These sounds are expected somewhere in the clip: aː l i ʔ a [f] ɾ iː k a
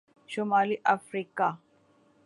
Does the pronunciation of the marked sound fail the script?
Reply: no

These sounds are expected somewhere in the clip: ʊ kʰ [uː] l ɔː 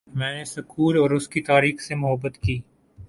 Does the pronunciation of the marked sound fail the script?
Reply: no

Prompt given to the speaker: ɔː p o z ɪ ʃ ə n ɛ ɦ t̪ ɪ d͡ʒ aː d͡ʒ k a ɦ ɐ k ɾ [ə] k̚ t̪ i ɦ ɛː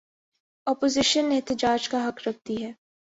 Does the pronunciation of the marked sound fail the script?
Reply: yes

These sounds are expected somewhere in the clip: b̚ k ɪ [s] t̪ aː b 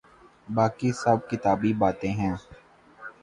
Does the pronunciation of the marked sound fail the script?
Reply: yes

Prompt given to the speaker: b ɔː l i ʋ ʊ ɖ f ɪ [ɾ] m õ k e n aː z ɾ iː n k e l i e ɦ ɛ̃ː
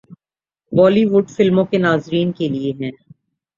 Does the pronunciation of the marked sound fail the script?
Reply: yes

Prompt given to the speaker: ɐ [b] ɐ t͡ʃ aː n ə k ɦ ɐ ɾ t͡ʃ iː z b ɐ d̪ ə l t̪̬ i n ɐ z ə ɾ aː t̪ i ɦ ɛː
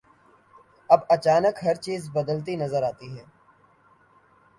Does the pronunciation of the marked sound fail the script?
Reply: no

